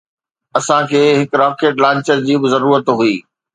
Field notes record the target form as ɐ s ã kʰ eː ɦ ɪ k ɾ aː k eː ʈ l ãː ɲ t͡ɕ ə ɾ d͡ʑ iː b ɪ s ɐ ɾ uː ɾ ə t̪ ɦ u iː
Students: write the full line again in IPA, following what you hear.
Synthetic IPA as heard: ɐ s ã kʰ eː ɦ ɪ k ɾ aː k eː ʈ l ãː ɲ t͡ɕ ə ɾ d͡ʑ iː b ɪ z ɐ ɾ uː ɾ ə t̪ ɦ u iː